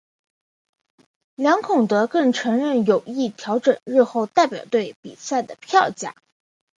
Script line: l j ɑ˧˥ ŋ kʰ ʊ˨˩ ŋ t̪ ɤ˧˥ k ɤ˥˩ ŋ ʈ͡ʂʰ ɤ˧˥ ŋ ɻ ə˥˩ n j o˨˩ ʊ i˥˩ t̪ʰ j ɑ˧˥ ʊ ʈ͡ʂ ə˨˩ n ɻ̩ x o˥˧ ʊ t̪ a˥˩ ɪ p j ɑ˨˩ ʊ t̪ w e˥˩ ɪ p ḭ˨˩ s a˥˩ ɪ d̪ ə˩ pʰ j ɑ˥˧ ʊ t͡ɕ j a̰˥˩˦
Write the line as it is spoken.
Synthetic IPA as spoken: l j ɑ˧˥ ŋ kʰ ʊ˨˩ ŋ t̪ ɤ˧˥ k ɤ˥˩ ŋ ʈ͡ʂʰ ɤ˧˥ ŋ ɻ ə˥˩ n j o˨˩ ʊ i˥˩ t̪ʰ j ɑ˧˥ ʊ ʈ͡ʂ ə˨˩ n ɻ̩ x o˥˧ ʊ t̪ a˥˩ ɪ p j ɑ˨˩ ʊ t̪ w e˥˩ ɪ p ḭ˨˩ s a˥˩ ɪ d̪ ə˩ pʰ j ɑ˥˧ ʊ t͡ɕ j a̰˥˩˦